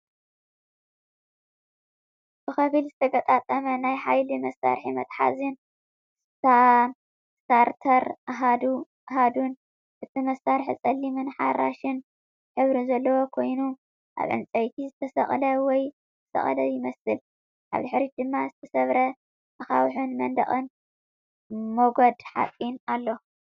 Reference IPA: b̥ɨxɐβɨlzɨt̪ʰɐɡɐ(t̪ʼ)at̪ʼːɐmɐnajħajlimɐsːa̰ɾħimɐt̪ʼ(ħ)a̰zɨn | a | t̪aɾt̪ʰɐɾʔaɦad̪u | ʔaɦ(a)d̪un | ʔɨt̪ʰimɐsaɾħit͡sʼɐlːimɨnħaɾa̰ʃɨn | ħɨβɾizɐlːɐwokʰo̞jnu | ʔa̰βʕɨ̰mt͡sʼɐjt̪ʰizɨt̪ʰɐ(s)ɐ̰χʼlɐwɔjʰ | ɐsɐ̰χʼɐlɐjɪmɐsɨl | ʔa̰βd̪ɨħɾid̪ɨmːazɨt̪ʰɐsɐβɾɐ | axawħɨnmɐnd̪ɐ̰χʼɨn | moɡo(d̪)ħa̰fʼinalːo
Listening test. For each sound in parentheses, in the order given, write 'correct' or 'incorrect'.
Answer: correct, correct, correct, correct, correct

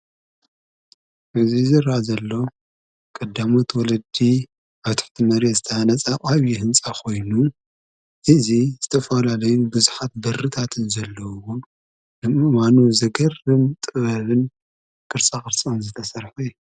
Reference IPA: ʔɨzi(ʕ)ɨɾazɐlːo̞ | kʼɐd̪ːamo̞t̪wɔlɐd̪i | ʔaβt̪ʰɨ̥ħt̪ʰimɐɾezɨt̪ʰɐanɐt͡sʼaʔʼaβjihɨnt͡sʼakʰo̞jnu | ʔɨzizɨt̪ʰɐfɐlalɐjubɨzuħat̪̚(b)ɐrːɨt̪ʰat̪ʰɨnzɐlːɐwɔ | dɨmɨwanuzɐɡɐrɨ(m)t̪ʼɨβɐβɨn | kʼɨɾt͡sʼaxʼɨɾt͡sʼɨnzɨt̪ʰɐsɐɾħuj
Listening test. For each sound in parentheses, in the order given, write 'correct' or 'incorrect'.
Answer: incorrect, correct, correct

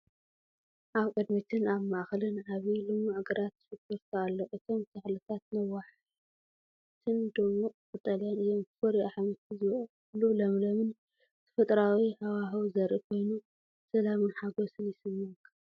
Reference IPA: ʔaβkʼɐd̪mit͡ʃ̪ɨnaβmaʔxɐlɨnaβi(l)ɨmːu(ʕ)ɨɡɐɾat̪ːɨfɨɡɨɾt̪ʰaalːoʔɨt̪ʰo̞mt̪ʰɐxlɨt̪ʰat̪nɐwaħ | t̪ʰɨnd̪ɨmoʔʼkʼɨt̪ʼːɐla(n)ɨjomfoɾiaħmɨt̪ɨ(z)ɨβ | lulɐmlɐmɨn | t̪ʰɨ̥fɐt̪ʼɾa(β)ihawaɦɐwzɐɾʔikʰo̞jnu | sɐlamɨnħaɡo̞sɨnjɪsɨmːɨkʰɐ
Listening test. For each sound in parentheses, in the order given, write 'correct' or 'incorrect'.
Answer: correct, correct, correct, correct, incorrect

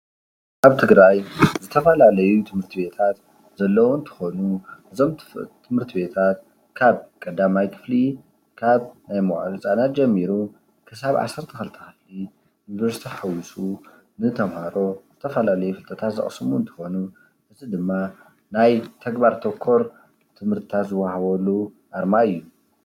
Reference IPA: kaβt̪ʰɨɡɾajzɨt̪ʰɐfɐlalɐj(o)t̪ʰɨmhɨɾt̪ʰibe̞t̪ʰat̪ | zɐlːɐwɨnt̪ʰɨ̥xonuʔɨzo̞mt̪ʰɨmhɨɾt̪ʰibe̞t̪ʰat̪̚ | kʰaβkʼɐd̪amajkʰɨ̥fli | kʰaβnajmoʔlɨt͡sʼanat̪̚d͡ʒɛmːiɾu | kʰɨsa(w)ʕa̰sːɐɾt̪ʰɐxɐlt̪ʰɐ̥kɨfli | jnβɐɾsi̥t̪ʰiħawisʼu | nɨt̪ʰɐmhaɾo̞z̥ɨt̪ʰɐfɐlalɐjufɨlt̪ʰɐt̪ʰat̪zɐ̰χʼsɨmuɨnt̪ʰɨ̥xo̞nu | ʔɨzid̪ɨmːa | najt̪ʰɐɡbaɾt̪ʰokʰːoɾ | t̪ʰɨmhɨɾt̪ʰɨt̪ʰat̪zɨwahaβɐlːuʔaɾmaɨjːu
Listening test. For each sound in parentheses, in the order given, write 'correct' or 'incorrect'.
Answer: incorrect, incorrect

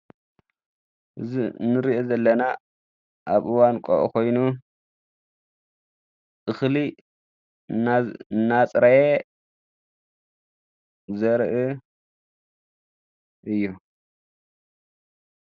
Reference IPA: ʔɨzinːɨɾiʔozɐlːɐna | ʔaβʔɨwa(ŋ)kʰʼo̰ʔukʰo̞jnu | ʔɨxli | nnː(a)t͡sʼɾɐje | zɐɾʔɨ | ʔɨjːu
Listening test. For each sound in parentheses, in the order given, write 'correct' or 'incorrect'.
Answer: incorrect, correct

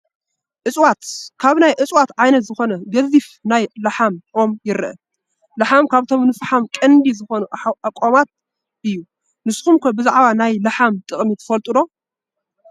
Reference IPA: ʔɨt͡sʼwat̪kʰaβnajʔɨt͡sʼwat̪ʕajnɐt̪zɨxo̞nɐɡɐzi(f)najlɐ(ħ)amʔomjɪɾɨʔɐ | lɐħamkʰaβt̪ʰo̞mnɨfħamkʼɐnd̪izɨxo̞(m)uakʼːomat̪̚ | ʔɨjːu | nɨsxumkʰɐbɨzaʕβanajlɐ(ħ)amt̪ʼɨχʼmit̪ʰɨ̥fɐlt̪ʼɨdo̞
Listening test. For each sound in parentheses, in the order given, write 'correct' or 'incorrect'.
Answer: correct, correct, incorrect, correct

